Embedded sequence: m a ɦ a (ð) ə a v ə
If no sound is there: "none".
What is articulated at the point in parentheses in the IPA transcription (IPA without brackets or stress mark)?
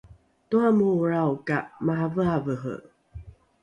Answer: v